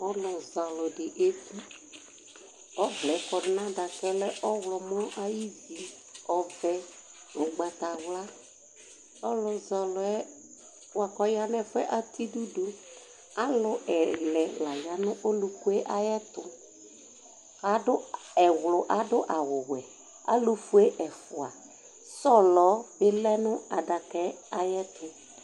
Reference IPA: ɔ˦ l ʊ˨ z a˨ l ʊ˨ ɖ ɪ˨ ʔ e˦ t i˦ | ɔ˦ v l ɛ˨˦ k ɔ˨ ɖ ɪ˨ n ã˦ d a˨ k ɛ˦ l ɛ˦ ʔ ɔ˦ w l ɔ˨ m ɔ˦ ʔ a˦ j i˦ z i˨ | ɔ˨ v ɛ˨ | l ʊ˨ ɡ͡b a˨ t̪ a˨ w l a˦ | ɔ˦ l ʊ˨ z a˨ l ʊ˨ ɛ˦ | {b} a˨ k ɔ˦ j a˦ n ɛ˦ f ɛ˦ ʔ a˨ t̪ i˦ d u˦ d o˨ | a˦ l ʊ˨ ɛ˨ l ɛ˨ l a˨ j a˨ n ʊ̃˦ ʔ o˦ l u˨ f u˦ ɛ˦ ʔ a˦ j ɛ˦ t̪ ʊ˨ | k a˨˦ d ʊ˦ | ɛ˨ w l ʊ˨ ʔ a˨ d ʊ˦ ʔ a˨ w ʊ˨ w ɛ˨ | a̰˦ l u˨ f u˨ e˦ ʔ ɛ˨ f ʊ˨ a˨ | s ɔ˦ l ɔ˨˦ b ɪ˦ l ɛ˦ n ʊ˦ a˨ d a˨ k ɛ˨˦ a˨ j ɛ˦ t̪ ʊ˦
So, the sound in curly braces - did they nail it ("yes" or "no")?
no